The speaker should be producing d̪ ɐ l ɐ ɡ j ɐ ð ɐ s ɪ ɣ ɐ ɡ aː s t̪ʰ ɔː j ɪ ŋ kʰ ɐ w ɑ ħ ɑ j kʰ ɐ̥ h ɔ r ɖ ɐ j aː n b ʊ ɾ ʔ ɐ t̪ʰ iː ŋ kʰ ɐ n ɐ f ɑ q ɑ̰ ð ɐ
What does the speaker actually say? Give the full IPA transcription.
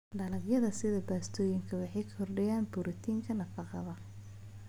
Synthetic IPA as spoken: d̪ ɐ l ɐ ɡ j ɐ ð ɐ s ɪ ð ɐ b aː s t̪ʰ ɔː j ɪ ŋ kʰ ɐ w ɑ ħ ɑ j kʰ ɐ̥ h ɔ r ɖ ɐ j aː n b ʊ ɾ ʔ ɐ t̪ʰ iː ŋ kʰ ɐ n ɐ f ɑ q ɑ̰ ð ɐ